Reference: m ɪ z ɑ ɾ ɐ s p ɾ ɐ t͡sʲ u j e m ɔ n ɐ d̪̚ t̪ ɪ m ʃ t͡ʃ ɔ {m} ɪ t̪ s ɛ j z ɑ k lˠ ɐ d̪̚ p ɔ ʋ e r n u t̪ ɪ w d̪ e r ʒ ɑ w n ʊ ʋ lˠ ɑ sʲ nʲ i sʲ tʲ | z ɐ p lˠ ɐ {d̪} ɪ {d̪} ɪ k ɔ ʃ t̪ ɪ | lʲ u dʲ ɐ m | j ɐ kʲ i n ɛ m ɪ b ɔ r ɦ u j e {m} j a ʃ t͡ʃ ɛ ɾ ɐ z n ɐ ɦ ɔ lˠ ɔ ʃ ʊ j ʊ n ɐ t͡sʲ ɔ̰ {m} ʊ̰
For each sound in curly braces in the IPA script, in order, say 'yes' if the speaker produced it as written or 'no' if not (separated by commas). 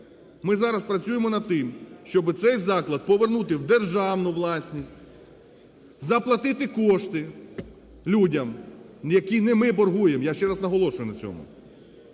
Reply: no, no, no, yes, yes